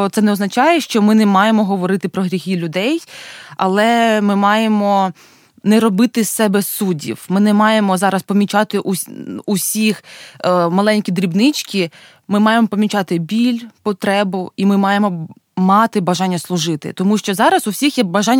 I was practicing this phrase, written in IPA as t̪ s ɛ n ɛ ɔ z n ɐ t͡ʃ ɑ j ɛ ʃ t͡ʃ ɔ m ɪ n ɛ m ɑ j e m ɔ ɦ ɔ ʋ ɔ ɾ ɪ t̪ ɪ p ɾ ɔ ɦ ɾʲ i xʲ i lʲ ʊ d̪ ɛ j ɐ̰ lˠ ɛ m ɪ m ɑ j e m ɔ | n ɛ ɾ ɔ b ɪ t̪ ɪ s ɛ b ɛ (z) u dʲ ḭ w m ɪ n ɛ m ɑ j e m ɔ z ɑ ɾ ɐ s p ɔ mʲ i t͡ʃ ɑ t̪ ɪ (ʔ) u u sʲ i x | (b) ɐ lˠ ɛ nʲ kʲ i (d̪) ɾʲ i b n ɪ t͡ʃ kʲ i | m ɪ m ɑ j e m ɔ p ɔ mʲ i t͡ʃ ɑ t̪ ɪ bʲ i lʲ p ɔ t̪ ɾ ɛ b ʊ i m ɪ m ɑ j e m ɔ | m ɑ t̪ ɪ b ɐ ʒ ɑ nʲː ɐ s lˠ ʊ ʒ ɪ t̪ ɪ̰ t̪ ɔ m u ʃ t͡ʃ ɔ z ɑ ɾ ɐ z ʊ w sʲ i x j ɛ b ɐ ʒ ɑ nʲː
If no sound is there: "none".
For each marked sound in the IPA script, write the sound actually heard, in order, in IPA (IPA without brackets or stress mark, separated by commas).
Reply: s, ʔ, m, d̪